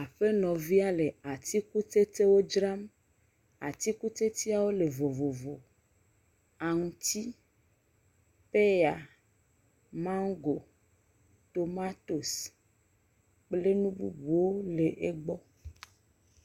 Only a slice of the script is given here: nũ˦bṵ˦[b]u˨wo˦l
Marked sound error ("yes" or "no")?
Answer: no